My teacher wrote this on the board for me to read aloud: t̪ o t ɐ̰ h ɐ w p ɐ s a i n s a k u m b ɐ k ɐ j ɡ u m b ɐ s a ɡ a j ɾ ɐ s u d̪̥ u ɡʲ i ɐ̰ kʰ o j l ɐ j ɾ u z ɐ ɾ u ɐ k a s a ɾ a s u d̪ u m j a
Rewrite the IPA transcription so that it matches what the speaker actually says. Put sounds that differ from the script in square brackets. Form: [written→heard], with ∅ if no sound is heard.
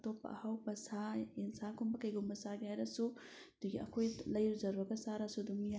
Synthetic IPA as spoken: t̪ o [t→p] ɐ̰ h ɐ w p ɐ s a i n s a k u m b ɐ k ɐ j ɡ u m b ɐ s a ɡ a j ɾ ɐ s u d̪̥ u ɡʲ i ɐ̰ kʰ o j l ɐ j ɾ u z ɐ ɾ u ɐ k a s a ɾ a s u d̪ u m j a

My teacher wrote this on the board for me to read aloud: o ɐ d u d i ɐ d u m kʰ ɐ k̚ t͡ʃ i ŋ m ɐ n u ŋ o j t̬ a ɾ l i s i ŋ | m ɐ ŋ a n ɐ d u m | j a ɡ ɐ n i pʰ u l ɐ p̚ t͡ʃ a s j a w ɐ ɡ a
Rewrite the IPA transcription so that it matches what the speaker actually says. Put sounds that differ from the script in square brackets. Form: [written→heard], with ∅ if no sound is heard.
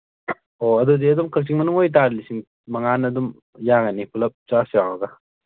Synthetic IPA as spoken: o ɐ d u d i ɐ d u m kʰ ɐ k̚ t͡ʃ i ŋ m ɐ n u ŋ o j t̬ a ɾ l i s i ŋ | m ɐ ŋ a n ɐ d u m | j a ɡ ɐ n i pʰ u l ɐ p̚ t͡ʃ a s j a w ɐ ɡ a

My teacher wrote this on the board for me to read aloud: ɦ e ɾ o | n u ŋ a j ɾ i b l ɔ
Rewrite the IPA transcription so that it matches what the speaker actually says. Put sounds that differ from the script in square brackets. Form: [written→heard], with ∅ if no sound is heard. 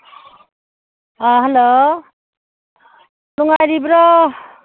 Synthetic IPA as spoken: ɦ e [ɾ→l] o | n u ŋ a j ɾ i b [l→ɾ] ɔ

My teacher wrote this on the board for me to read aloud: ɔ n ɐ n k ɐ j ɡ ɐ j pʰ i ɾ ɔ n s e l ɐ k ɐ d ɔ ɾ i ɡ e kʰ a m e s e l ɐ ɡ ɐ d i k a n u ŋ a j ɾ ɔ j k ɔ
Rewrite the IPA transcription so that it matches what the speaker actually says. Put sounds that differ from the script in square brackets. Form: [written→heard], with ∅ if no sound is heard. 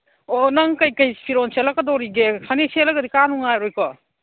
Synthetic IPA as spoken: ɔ n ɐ [n→ŋ] k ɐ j [ɡ→k] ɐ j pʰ i ɾ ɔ n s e l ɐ k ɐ d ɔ ɾ i ɡ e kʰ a [m→n] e s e l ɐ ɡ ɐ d i k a n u ŋ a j ɾ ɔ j k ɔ

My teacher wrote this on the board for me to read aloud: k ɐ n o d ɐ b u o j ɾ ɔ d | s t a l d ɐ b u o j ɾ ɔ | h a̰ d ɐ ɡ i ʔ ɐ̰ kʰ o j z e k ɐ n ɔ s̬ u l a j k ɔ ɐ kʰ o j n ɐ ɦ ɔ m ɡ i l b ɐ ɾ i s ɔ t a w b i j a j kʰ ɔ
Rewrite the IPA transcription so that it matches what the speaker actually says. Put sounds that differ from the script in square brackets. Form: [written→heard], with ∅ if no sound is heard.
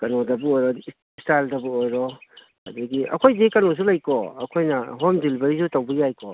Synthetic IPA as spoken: k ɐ n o d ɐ b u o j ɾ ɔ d | s t a l d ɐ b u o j ɾ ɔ | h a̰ d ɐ ɡ i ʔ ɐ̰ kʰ o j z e k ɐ n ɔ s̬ u l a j k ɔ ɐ kʰ o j n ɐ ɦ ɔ m [ɡ→d] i l b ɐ ɾ i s [ɔ→u] t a w b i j a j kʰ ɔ

